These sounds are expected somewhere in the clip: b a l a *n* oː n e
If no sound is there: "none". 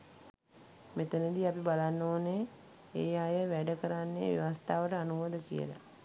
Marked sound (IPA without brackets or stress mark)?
nː